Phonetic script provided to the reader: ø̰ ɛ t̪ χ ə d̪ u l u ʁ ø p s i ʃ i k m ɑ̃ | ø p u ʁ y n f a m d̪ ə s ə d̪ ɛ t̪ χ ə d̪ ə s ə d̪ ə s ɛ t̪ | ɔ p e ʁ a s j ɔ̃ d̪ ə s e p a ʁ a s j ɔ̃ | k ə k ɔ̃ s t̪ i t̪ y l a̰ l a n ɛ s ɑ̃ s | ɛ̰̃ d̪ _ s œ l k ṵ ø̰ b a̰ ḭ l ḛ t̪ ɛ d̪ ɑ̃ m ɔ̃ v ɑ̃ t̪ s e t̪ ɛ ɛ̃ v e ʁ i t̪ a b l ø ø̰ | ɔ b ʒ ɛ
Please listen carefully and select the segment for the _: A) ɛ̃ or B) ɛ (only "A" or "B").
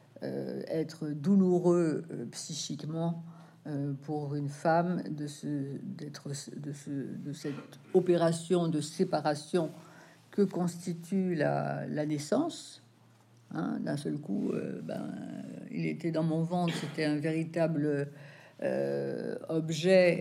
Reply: A